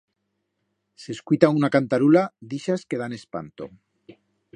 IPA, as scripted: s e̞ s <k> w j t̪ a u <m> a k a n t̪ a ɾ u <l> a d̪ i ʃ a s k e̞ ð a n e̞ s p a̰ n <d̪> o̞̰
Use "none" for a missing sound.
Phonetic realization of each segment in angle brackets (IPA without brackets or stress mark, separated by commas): k, n, l, t̪